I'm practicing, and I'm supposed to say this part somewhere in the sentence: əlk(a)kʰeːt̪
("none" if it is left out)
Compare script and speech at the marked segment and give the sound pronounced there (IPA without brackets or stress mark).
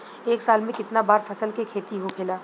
e